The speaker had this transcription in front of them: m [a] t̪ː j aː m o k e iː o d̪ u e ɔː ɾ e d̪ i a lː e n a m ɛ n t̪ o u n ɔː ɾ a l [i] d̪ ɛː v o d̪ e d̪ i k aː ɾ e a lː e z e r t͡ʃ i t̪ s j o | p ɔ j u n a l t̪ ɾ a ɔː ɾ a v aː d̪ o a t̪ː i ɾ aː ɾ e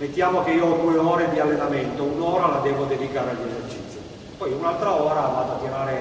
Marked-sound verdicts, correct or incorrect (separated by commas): incorrect, incorrect